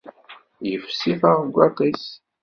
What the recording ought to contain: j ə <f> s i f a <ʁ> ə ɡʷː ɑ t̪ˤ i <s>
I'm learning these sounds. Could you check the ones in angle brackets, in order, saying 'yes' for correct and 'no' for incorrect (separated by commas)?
yes, yes, yes